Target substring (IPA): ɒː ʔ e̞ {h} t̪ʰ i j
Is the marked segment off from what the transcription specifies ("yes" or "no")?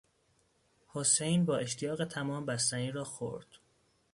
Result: yes